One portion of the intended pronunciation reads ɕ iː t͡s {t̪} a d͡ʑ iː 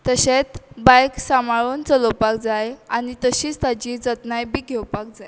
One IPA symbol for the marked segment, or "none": t̪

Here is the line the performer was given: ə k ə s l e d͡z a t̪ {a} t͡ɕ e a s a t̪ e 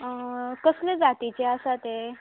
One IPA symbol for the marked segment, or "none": i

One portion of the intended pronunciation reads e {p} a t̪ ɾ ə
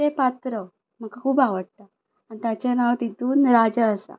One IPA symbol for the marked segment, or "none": p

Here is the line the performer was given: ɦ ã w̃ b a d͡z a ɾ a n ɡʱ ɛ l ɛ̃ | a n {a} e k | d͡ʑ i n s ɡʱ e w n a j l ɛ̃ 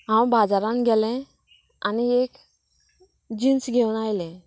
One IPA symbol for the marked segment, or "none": i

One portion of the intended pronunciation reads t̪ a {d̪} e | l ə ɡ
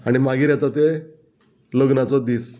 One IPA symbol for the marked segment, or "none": t̪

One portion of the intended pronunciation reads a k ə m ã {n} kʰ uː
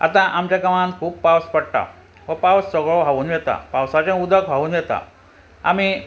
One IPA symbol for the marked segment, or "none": n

